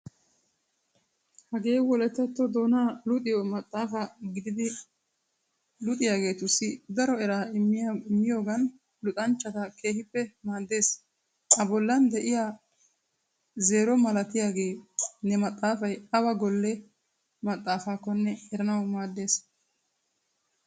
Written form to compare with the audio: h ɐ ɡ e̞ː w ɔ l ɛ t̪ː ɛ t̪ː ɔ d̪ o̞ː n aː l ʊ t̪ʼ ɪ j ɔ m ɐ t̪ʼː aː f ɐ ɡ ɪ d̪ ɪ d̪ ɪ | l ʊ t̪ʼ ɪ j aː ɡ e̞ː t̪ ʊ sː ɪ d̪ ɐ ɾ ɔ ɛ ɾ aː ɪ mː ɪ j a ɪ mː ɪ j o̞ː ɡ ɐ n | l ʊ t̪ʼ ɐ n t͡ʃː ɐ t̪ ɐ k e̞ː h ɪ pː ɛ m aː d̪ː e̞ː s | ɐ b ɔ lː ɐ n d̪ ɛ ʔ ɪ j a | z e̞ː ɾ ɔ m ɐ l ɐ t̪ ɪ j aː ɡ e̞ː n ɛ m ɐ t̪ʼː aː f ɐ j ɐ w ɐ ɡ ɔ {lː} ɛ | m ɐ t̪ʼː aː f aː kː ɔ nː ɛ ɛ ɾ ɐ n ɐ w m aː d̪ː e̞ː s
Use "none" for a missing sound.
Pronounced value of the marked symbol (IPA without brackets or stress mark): lː